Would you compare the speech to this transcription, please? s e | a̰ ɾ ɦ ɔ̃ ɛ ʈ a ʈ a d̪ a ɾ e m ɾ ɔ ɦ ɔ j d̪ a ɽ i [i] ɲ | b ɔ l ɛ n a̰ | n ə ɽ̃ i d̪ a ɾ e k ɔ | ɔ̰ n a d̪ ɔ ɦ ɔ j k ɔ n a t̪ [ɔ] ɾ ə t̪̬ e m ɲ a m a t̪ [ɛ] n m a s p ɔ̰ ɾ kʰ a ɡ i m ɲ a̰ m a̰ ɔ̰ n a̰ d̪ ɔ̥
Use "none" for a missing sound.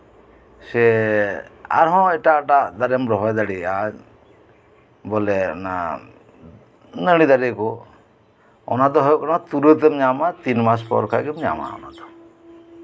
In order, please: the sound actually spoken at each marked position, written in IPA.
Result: a, u, i

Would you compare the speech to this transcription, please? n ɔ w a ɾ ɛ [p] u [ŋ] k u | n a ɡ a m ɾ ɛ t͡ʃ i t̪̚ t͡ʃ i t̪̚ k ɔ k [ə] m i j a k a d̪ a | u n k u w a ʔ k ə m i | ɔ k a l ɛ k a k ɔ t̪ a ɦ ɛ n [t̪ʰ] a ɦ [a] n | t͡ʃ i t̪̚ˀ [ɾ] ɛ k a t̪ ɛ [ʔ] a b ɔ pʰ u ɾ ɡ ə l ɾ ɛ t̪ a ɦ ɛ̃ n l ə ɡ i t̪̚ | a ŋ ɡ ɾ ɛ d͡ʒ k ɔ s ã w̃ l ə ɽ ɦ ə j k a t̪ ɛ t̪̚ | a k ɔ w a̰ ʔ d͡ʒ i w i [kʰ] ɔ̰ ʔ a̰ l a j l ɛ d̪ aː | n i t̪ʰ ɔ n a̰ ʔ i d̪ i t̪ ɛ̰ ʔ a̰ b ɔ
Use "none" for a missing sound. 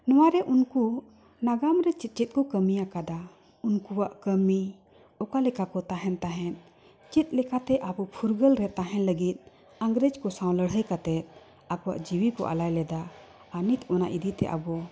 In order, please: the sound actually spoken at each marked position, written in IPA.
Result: ʔ, n, ə, t̪, ɛ, l, ʔ, k

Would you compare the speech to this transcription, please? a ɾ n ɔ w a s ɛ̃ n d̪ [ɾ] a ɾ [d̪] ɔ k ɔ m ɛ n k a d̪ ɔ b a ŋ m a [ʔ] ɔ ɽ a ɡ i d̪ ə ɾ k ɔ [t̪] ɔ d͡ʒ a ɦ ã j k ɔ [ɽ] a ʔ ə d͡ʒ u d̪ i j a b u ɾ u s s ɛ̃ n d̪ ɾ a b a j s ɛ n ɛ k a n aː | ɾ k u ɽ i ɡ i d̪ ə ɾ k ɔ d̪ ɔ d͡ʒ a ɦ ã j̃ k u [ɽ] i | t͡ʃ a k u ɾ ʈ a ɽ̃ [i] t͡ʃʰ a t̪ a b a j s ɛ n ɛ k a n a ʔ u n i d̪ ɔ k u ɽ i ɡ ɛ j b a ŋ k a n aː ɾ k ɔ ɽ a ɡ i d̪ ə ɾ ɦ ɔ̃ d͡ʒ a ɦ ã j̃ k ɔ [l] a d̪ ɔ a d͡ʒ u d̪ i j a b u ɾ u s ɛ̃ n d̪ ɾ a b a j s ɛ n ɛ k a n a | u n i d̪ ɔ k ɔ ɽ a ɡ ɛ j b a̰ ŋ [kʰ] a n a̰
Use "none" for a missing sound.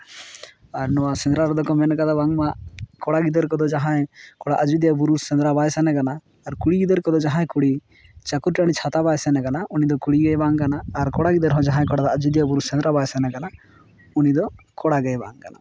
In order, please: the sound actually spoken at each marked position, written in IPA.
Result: ɾ, d̪, k, d̪, ɽ, ɽ, i, ɽ, k

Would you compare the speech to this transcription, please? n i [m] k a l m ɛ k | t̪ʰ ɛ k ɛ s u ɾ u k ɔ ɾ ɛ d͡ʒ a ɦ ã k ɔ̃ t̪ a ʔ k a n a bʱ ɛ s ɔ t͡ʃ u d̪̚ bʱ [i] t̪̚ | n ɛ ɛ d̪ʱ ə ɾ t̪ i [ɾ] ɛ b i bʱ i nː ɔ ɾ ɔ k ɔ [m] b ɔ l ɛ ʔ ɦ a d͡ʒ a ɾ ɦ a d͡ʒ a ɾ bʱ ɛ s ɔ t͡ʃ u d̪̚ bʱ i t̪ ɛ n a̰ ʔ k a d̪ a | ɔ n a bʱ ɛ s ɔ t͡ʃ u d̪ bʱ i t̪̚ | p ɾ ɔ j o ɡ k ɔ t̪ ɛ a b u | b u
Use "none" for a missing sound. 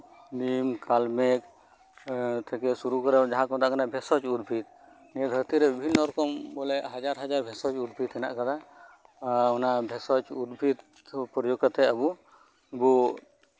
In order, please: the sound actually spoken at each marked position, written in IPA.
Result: m, i, ɾ, m

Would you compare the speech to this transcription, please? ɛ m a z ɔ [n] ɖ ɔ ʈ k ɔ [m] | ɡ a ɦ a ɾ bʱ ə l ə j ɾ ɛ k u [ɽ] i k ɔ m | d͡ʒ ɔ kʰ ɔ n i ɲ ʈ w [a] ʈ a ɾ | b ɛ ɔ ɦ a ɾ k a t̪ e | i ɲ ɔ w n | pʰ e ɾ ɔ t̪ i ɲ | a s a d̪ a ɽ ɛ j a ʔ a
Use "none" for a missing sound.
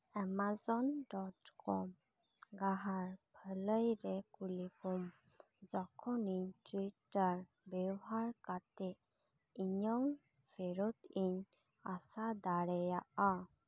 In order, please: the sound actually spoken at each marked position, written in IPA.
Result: n, m, l, i

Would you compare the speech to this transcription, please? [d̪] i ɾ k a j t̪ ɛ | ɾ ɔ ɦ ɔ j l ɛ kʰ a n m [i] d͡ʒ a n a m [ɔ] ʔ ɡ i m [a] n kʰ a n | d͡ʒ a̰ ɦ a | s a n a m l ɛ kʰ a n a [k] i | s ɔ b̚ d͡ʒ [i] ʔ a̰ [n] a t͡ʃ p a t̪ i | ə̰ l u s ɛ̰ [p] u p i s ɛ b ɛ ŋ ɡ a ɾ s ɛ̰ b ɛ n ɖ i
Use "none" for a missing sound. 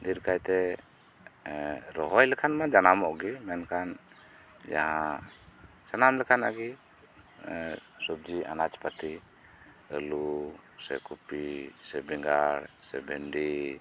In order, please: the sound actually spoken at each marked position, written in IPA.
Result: d̪, a, ɔ, ɛ, ɡ, i, n, k

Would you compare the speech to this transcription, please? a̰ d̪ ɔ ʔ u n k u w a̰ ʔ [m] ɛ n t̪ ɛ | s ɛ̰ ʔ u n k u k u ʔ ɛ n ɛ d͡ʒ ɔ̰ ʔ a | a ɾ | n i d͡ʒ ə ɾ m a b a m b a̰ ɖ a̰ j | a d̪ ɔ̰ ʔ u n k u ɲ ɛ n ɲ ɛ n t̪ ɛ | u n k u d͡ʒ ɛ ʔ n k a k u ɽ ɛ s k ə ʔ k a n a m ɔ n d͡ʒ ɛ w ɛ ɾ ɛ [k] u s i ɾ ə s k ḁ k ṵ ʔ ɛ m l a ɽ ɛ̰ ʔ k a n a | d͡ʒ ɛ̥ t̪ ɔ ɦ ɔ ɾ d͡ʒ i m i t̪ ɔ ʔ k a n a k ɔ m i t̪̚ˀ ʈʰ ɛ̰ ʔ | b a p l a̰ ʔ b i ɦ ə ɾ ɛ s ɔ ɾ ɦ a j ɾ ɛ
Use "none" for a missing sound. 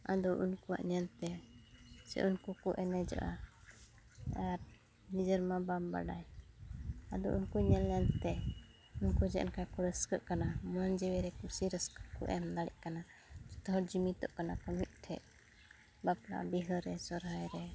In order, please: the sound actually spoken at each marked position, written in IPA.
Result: ɲ, k

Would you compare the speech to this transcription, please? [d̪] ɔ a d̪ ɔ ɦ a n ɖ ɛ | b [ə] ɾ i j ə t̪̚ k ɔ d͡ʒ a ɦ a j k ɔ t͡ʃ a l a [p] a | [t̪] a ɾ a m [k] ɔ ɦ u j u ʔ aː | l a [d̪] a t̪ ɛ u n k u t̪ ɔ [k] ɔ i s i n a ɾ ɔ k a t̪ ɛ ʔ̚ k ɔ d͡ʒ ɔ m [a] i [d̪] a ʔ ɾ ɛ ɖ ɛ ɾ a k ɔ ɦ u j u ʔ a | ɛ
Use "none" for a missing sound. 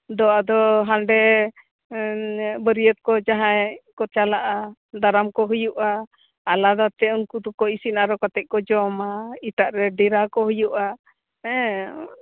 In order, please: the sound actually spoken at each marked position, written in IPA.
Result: d̪, ə, ʔ, d̪, k, d̪, k, a, t̪

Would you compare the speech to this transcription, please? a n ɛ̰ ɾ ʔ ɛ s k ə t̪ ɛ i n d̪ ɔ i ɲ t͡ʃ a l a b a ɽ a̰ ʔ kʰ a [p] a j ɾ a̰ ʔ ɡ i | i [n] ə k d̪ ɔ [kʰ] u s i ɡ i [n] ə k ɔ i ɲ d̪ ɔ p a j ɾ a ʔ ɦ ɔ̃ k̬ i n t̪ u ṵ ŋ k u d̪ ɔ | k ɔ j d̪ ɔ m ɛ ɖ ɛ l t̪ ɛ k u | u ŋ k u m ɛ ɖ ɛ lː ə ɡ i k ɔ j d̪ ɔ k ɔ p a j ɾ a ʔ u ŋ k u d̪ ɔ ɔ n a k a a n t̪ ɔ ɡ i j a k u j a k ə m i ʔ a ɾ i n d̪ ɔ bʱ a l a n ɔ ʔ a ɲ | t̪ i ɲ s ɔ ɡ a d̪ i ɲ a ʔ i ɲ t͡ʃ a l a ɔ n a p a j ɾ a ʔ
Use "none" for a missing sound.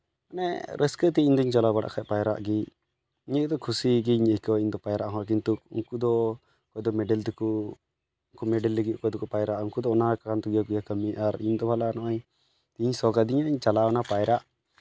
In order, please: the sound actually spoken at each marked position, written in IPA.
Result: p, ɲ, kʰ, ɲ

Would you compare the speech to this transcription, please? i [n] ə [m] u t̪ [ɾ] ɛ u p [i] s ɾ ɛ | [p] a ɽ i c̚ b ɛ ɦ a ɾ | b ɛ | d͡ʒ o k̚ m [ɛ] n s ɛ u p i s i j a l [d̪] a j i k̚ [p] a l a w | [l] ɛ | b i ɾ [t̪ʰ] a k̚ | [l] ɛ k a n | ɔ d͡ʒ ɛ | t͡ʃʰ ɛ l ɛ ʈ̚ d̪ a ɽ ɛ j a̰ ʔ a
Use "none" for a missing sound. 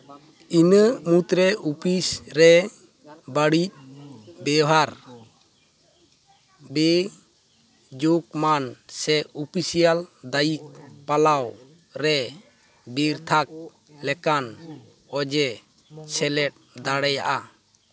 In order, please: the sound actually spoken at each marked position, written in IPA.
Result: n, m, ɾ, i, b, a, d̪, p, ɾ, t̪ʰ, l

